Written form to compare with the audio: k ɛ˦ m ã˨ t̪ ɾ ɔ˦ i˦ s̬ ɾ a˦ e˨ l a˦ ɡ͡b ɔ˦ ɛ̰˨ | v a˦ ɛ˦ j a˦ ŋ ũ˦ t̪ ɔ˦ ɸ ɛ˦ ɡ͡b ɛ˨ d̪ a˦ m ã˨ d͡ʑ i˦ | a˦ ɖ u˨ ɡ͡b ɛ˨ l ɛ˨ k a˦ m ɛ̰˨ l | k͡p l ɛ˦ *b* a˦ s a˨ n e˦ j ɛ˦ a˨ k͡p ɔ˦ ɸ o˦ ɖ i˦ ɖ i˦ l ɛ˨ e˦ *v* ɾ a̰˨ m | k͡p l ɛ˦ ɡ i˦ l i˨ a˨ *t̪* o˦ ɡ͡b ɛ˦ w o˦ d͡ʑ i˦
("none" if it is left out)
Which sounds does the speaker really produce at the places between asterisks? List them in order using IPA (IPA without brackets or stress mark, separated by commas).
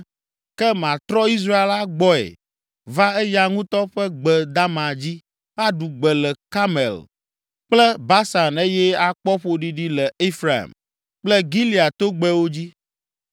b, f, t̪